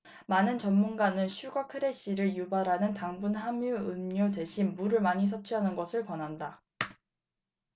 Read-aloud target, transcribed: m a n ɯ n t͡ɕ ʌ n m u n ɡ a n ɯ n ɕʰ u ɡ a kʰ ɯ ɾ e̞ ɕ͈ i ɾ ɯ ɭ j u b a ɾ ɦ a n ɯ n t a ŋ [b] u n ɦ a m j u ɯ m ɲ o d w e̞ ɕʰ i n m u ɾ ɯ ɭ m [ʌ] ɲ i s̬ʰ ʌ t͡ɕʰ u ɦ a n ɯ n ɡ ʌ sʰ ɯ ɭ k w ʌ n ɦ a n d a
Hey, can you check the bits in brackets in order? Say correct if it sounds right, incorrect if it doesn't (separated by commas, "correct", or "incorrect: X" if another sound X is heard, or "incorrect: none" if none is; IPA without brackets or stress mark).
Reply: correct, incorrect: a